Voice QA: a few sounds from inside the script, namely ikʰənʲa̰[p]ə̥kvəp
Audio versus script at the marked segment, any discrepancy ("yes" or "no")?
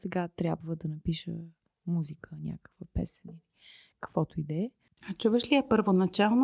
yes